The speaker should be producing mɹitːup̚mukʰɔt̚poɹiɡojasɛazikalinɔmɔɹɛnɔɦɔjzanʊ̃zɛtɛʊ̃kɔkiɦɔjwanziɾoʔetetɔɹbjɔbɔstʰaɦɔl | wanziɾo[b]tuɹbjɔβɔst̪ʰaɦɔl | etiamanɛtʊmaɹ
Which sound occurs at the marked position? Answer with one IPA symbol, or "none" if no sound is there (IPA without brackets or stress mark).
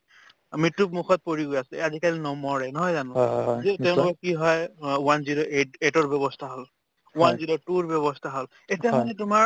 none